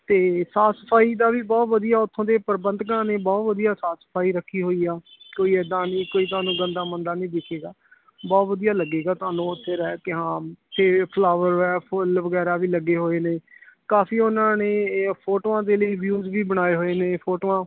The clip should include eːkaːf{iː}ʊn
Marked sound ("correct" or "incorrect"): correct